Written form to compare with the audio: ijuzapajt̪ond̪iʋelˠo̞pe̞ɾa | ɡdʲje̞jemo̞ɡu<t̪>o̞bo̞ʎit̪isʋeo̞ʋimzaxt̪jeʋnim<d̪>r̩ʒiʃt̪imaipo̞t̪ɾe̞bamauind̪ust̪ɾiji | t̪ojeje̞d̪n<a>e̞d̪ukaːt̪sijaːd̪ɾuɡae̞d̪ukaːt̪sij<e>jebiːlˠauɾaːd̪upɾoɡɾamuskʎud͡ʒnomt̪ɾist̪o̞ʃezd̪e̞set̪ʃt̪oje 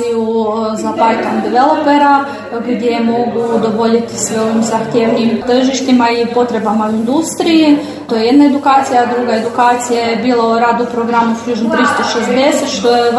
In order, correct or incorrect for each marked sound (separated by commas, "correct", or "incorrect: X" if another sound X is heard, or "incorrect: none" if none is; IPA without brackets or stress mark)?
incorrect: d̪, incorrect: t̪, correct, incorrect: a